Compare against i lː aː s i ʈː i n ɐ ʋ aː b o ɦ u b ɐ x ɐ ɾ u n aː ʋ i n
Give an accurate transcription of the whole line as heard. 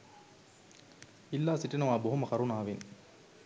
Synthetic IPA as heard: i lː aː s i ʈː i n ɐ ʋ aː b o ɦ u m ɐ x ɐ ɾ u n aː ʋ i n